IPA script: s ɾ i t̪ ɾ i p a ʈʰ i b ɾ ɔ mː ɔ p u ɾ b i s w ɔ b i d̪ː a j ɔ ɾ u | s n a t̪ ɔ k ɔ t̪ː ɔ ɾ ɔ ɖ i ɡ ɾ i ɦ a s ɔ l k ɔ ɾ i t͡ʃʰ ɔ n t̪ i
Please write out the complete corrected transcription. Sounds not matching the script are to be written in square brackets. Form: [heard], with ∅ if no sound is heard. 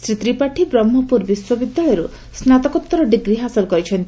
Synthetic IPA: s ɾ i t̪ ɾ i p a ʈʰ i b ɾ ɔ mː ɔ p u ɾ b i s w ɔ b i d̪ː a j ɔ ɾ u | s n a t̪ ɔ k ɔ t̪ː ɔ ɾ ɔ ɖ i ɡ ɾ i ɦ a s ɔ l k ɔ ɾ i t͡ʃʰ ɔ n t̪ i

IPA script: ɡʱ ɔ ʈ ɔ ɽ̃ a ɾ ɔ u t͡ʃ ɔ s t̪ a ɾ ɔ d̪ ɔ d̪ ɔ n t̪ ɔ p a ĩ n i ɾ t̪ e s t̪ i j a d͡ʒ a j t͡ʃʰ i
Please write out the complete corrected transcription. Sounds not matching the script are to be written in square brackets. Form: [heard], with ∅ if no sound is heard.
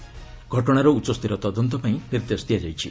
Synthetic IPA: ɡʱ ɔ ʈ ɔ ɽ̃ a ɾ ɔ u t͡ʃ ɔ s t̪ [i] ɾ ɔ [t̪] ɔ d̪ ɔ n t̪ ɔ p a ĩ n i ɾ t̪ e s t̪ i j a d͡ʒ a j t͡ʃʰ i

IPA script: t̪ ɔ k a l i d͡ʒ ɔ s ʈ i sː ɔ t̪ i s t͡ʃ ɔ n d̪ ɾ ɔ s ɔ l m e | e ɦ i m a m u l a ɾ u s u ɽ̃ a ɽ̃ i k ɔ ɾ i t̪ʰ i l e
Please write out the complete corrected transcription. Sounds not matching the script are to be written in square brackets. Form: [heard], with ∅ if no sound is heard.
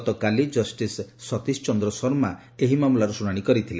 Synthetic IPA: t̪ ɔ k a l i d͡ʒ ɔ s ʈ i sː ɔ t̪ i s t͡ʃ ɔ n d̪ ɾ ɔ s ɔ [ɾ] m [a] | e ɦ i m a m u l a ɾ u s u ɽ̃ a ɽ̃ i k ɔ ɾ i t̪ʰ i l e

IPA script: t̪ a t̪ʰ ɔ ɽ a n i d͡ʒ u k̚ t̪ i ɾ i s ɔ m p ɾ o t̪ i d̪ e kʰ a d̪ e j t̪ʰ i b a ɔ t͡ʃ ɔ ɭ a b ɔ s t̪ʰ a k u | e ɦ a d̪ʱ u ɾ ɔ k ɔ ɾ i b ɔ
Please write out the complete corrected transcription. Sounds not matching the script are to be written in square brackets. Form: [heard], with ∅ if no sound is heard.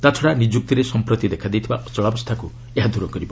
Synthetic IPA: t̪ a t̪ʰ ɔ ɽ a n i d͡ʒ u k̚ t̪ i ɾ [e] s ɔ m p ɾ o t̪ i d̪ e kʰ a d̪ e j t̪ʰ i b a ɔ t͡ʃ ɔ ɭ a b ɔ s t̪ʰ a k u | e ɦ a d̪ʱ u ɾ ɔ k ɔ ɾ i b ɔ

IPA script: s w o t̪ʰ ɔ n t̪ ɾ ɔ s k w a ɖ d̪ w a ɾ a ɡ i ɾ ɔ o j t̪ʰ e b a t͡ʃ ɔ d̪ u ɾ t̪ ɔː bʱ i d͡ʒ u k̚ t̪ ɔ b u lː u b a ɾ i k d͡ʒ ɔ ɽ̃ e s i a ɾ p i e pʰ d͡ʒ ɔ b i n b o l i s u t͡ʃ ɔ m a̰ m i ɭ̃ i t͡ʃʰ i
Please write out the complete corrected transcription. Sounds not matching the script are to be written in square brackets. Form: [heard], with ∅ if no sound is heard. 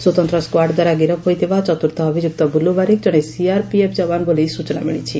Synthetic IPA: s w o [t̪] ɔ n t̪ ɾ ɔ s k w a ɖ d̪ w a ɾ a ɡ i ɾ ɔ o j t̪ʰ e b a t͡ʃ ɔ [t̪] u ɾ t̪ ɔː bʱ i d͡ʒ u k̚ t̪ ɔ b u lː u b a ɾ i k d͡ʒ ɔ ɽ̃ e s i a ɾ p i e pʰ d͡ʒ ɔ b [a] n b o l i s u t͡ʃ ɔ [n] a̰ m i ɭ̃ i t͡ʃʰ i

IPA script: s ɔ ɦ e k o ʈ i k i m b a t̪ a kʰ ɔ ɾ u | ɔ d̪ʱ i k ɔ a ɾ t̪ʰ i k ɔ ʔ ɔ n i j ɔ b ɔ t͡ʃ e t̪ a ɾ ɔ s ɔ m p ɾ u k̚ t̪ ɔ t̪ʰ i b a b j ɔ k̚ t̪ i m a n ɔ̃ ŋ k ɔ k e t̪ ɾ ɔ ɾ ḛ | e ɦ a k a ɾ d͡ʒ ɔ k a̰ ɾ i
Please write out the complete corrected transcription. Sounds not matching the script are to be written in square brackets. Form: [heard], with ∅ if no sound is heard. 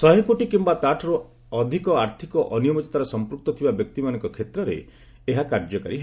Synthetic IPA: s ɔ ɦ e k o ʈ i k i m b a t̪ a [ʈʰ] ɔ ɾ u | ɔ d̪ʱ i k ɔ a ɾ t̪ʰ i k ɔ ʔ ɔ n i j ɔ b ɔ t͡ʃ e t̪ a ɾ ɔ s ɔ m p ɾ u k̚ t̪ ɔ t̪ʰ i b a b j ɔ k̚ t̪ i m a n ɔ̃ ŋ k ɔ [kʰ] e t̪ ɾ ɔ ɾ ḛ | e ɦ a k a ɾ d͡ʒ ɔ k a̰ ɾ i

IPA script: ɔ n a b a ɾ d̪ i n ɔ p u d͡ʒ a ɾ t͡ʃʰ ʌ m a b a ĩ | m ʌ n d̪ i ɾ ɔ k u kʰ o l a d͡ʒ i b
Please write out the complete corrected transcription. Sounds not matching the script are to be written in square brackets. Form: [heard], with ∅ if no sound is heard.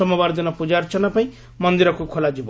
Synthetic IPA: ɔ [m] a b a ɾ d̪ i n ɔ p u d͡ʒ a ɾ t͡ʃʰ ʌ [n] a [p] a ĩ | m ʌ n d̪ i ɾ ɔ k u kʰ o l a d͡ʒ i b

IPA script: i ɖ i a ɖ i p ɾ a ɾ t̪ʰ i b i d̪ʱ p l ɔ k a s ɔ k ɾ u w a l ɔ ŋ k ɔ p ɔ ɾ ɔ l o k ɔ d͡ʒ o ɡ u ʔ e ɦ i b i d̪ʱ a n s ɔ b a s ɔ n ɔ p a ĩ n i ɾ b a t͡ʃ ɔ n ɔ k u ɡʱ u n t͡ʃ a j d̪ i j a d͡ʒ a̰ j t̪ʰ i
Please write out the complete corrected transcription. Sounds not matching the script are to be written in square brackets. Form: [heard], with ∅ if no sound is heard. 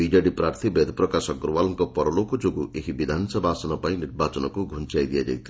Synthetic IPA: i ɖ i a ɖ i p ɾ a ɾ t̪ʰ i b [e] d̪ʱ p [ɾ] ɔ k a s ɔ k ɾ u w a l ɔ ŋ k ɔ p ɔ ɾ ɔ l o k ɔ d͡ʒ o ɡ u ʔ e ɦ i b i d̪ʱ a n s ɔ b a s ɔ n ɔ p a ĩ n i ɾ b a t͡ʃ ɔ n ɔ k u ɡʱ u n t͡ʃ a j d̪ i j a d͡ʒ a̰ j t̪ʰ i

